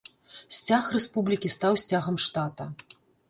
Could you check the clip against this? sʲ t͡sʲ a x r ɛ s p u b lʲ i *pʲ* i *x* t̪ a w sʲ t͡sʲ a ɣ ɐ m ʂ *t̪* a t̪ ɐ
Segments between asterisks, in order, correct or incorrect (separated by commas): incorrect, incorrect, correct